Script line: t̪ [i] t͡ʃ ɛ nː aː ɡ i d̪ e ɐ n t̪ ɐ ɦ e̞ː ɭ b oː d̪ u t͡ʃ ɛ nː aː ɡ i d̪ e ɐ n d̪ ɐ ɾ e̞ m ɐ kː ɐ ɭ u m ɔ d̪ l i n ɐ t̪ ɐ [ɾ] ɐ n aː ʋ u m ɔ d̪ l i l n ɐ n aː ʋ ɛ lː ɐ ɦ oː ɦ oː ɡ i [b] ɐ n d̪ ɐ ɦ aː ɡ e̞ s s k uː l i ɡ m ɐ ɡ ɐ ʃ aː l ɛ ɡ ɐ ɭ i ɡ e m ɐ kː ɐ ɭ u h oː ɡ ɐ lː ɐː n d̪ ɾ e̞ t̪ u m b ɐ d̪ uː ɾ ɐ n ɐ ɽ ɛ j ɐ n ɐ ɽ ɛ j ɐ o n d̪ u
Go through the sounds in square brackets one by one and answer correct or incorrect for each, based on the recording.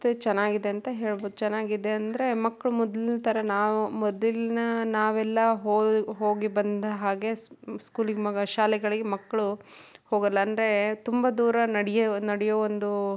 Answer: incorrect: e, correct, correct

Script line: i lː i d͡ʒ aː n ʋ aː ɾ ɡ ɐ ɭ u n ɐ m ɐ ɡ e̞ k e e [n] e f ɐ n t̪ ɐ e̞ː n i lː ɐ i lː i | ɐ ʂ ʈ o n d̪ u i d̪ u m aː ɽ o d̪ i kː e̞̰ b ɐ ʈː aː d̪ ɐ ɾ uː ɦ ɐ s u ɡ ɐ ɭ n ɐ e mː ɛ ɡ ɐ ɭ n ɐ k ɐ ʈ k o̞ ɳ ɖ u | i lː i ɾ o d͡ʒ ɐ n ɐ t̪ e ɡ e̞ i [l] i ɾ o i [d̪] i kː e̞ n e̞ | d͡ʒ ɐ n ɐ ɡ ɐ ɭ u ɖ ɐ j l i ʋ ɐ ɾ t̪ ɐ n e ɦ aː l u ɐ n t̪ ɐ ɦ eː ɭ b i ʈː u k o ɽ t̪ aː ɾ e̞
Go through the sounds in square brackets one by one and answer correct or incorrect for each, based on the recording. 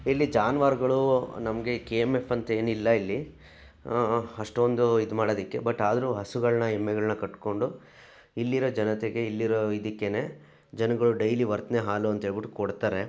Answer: incorrect: m, incorrect: lː, correct

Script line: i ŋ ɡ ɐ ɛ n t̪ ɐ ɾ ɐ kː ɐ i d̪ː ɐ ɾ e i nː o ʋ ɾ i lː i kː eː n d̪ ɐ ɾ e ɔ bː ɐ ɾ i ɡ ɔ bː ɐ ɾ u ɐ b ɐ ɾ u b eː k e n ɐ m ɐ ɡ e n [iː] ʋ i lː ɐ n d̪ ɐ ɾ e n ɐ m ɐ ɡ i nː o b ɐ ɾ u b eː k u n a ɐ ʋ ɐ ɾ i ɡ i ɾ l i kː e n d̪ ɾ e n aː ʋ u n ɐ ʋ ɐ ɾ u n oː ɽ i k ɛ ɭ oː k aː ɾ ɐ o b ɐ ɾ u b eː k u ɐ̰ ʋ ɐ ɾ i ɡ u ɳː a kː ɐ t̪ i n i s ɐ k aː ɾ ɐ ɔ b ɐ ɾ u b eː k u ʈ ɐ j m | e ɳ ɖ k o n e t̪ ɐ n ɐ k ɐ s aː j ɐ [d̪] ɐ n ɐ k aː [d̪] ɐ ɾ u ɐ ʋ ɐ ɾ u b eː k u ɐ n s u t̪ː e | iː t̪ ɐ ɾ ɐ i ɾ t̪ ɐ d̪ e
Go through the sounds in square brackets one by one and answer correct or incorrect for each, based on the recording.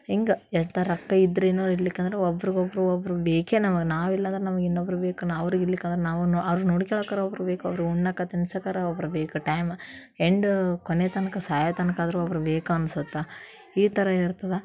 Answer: incorrect: aː, incorrect: t̪, correct

